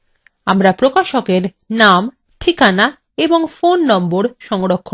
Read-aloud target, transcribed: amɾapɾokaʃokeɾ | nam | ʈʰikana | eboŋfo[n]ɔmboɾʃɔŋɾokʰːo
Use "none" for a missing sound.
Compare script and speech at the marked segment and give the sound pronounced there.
nː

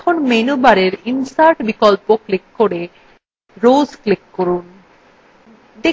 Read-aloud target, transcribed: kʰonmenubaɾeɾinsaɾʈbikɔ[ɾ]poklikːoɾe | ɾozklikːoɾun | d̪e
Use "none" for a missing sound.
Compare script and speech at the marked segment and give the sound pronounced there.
l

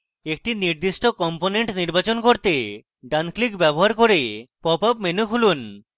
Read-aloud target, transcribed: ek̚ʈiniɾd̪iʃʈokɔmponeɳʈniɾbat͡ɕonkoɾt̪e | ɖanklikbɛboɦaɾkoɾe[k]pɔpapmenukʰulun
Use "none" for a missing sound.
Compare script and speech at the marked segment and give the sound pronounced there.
none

